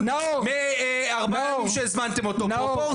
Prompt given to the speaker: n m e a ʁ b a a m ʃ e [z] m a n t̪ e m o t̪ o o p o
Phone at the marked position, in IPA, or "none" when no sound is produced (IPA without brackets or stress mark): z